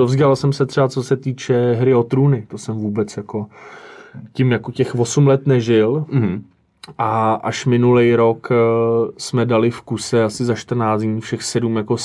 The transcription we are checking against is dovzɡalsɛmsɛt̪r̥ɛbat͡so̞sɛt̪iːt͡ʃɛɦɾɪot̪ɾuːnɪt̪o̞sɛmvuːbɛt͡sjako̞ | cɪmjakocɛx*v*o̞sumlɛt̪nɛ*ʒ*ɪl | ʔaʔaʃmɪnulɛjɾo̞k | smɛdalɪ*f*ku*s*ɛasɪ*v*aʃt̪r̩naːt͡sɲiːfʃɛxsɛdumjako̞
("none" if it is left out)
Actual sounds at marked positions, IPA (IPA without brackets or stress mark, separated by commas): v, ʒ, f, s, z